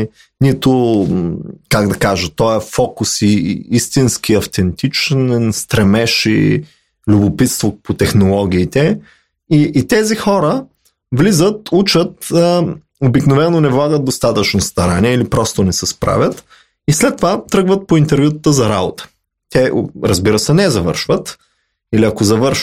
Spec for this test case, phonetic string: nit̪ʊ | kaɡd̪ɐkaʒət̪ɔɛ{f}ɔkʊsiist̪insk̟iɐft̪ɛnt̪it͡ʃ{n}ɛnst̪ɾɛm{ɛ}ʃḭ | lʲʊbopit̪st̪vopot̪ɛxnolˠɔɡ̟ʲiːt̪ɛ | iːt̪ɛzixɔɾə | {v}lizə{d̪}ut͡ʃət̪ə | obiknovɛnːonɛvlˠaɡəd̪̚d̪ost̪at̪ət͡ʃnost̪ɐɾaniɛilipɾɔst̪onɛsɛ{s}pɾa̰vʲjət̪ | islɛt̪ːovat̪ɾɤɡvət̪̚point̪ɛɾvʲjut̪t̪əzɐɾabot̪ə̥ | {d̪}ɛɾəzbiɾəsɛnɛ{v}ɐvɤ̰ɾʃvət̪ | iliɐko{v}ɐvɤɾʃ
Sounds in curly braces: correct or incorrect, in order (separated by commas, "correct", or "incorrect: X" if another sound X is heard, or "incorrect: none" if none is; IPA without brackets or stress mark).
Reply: correct, correct, correct, correct, incorrect: t̪, correct, incorrect: t̪, incorrect: z, incorrect: z